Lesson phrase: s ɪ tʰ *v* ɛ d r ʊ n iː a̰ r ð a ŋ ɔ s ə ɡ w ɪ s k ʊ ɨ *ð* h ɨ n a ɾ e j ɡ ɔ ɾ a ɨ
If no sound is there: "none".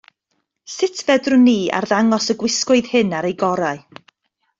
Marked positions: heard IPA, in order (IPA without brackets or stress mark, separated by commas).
v, ð